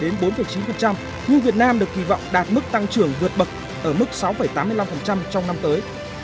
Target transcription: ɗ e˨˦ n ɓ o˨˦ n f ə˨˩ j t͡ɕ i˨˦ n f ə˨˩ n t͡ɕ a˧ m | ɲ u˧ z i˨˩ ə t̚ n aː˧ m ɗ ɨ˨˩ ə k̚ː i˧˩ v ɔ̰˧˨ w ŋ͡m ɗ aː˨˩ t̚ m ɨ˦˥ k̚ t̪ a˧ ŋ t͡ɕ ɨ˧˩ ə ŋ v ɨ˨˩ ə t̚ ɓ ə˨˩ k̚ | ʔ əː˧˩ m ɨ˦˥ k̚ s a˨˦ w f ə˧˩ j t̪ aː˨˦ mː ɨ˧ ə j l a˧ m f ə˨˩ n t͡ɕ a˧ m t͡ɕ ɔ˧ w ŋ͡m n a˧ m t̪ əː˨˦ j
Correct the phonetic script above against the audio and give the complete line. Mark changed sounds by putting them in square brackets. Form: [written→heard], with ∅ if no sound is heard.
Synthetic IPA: ɗ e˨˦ n ɓ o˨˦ n f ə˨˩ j t͡ɕ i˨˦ n f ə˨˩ n t͡ɕ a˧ m | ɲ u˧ [z→v] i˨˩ ə t̚ n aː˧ m ɗ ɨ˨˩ ə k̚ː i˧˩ v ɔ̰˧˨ w ŋ͡m ɗ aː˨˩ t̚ m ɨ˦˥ k̚ t̪ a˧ ŋ t͡ɕ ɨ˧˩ ə ŋ v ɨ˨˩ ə t̚ ɓ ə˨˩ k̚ | ʔ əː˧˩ m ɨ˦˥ k̚ s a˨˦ w f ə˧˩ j t̪ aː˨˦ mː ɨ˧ ə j l a˧ m f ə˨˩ n t͡ɕ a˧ m t͡ɕ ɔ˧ w ŋ͡m n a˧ m t̪ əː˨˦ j